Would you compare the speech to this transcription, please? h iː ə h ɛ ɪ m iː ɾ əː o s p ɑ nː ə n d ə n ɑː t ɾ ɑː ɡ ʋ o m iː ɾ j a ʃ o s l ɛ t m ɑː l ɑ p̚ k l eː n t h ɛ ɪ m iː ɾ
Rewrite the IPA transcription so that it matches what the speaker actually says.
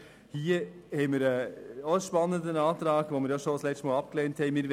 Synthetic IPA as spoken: h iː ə h ɛ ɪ m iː ɾ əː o ʃ p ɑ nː ə n d ə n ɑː t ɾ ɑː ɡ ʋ o m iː ɾ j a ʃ o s l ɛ t m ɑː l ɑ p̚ k l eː n t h ɛ ɪ m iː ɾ